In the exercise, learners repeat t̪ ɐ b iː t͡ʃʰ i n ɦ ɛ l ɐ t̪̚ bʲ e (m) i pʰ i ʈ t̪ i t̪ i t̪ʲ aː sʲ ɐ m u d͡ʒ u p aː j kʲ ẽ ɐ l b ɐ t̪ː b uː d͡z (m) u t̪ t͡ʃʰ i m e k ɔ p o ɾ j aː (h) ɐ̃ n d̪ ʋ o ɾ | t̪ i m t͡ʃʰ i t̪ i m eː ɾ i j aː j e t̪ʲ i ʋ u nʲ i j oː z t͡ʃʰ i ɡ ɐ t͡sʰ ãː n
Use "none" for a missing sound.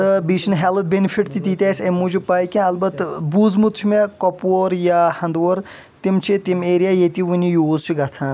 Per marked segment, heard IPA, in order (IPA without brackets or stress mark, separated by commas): n, m, h